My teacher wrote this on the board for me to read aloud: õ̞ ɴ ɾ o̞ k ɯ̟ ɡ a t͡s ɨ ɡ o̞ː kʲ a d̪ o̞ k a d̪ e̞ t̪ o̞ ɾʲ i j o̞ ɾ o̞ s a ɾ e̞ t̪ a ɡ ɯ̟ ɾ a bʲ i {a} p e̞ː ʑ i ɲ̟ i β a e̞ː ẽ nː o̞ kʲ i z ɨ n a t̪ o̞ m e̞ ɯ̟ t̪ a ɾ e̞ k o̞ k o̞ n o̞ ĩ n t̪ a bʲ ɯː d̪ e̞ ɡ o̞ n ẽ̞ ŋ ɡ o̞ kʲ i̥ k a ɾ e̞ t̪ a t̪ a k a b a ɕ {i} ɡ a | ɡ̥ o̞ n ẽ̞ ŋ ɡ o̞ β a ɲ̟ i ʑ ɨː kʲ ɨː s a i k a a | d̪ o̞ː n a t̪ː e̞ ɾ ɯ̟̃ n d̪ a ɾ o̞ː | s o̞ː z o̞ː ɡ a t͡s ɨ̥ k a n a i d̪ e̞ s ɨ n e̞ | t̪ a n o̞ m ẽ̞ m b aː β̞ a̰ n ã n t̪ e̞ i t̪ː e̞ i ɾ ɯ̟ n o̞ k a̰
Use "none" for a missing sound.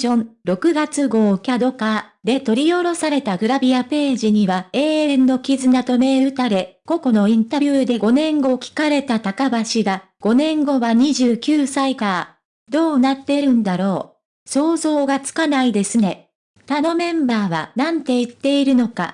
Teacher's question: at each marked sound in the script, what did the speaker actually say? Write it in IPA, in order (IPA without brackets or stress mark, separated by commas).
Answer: a, i